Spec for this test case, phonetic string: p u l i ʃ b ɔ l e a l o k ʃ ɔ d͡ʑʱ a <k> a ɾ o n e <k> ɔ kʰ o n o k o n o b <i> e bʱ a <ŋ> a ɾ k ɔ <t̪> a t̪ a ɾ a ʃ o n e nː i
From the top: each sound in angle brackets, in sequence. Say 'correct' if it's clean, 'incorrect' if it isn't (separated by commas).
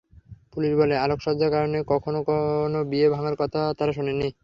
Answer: correct, correct, correct, correct, incorrect